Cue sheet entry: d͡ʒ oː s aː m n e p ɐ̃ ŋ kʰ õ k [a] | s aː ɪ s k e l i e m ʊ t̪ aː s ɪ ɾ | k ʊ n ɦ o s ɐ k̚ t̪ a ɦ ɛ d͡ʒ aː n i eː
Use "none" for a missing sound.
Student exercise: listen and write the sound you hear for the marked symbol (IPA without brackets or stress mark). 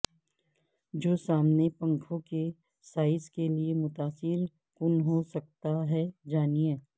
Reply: e